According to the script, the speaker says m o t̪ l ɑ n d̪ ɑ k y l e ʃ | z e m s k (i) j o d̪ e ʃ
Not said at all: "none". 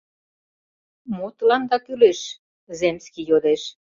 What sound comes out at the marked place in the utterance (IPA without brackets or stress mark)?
i